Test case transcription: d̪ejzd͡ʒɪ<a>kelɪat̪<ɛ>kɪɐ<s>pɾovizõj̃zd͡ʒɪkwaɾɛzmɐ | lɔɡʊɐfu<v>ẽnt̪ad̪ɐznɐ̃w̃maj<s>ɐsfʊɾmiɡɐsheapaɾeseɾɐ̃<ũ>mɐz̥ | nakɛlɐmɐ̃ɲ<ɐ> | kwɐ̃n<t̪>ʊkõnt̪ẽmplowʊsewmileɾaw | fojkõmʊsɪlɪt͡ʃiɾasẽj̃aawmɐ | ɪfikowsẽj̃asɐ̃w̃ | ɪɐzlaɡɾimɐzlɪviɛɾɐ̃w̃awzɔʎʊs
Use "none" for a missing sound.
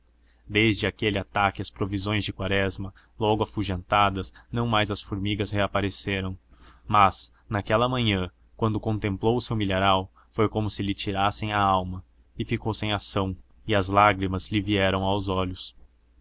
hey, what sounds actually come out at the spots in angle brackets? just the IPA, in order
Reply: a, a, s, ʒ, z, w̃, ɐ̃, d̪

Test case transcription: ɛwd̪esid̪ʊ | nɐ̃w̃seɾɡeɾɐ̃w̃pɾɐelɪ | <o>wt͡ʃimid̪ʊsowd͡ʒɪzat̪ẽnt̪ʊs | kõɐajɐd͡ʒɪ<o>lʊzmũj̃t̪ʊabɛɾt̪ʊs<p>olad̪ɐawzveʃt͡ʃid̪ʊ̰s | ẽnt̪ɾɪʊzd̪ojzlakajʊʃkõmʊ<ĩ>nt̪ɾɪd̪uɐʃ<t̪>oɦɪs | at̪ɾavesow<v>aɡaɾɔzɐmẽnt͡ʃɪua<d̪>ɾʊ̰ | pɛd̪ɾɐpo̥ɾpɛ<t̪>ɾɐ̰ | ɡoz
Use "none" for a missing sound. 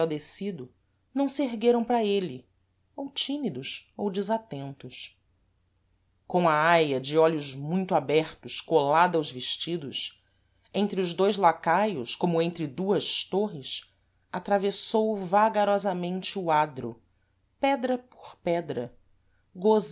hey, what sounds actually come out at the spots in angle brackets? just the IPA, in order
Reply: o, ɔ, k, ẽ, t̪, v, d̪, d̪

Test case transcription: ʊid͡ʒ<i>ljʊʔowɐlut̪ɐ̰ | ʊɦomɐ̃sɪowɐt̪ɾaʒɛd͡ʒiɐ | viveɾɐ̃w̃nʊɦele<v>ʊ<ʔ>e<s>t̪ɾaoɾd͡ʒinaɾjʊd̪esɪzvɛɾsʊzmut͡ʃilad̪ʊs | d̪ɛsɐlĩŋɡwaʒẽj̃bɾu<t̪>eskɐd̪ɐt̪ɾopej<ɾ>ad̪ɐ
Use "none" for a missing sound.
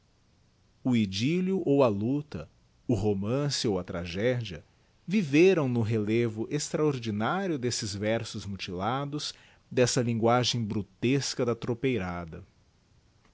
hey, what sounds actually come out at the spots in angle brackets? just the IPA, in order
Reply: i, v, ʔ, s, t̪, ɾ

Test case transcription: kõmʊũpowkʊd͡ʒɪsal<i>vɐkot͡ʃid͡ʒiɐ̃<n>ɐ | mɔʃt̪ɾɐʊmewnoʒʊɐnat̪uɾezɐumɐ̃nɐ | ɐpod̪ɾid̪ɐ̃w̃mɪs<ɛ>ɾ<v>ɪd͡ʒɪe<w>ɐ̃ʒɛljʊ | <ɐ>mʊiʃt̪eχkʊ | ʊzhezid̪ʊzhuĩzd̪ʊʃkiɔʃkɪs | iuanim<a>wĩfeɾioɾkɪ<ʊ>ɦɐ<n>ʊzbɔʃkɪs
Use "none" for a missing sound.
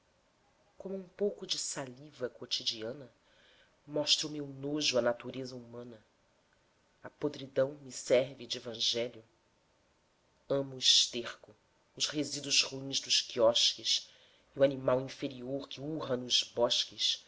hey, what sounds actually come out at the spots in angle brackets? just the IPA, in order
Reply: i, n, ɛ, v, v, ɐ̃, a, u, n

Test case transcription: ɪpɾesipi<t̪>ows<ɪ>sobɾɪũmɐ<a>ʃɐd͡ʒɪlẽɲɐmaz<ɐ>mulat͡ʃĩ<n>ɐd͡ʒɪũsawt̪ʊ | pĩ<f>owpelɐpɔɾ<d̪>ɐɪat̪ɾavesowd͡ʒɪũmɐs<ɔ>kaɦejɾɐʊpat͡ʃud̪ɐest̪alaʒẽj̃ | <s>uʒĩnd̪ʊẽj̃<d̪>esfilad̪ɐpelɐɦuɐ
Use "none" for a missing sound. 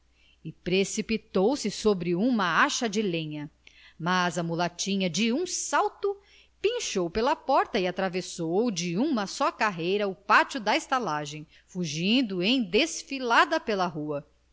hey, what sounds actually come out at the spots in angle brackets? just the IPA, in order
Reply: t̪, ɪ, a, ɐ, ɲ, ʃ, t̪, ɔ, f, d̪

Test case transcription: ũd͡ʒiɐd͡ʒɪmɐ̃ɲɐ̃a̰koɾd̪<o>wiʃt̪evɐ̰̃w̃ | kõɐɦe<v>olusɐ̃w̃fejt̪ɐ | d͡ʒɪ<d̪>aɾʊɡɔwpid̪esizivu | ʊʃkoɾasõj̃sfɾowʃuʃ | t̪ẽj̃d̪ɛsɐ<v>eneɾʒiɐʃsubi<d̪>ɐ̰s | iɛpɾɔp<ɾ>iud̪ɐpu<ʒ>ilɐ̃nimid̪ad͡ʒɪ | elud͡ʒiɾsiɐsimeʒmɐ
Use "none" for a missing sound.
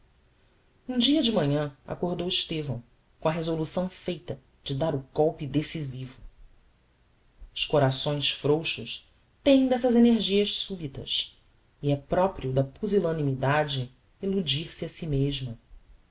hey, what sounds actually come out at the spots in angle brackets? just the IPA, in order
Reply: o, z, d̪, z, t̪, ɾ, z

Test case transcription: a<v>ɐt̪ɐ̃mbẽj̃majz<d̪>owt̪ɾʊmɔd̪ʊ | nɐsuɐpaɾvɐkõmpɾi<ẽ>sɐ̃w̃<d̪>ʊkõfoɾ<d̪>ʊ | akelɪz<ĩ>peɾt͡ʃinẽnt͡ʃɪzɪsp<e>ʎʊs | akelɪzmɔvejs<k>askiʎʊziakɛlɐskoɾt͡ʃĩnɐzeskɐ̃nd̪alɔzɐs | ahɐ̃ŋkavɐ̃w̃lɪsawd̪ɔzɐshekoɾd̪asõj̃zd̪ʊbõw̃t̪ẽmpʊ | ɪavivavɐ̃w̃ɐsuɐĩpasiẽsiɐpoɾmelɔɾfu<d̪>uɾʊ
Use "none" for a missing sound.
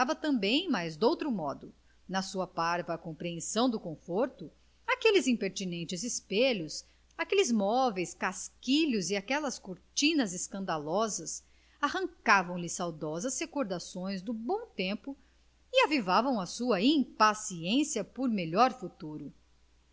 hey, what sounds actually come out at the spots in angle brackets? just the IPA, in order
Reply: v, d̪, ẽ, d̪, t̪, ĩ, e, k, t̪

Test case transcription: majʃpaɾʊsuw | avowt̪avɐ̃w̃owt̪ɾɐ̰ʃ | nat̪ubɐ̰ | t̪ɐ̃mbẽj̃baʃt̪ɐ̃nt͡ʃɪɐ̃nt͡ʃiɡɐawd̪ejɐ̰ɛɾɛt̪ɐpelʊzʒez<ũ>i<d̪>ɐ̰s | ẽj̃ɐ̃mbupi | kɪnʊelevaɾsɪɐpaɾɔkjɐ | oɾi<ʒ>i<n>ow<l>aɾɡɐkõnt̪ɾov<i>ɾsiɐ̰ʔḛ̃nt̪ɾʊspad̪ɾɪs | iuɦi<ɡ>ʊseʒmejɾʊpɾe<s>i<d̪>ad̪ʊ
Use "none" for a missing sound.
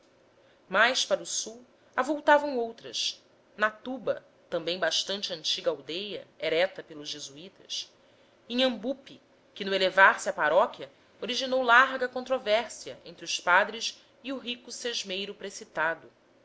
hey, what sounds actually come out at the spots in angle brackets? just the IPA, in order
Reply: u, t̪, ʒ, n, l, ɛ, k, s, t̪

